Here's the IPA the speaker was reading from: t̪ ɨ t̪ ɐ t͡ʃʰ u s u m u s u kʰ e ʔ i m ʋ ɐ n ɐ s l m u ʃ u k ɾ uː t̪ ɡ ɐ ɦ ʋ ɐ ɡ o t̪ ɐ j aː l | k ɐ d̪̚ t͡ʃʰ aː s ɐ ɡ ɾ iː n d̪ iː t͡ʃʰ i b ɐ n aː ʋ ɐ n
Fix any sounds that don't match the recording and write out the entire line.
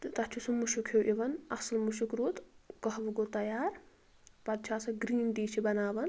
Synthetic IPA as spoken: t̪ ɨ t̪ ɐ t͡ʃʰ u s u m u ʃ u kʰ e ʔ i ʋ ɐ n ɐ s l m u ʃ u k ɾ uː t̪ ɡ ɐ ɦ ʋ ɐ ɡ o t̪ ɐ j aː ɾ | p ɐ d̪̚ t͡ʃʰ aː s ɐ ɡ ɾ iː n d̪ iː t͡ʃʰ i b ɐ n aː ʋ ɐ n